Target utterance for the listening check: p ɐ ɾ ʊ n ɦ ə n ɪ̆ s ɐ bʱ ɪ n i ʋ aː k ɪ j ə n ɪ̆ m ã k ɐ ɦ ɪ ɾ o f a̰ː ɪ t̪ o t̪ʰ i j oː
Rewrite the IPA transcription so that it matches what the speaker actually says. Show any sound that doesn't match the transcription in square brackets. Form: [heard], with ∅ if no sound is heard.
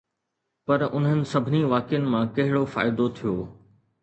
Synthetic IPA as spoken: p ɐ ɾ ʊ n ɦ ə n ɪ̆ s ɐ bʱ ɪ n i ʋ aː k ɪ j ə n ɪ̆ m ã k ɐ ɦ ɪ [ɽ] o f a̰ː ɪ [d̪] o t̪ʰ i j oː